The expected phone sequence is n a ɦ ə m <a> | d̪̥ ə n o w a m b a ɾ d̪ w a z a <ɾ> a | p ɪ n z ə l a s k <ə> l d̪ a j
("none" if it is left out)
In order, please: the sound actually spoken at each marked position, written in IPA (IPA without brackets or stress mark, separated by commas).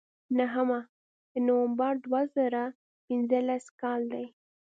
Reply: a, ɾ, ɑ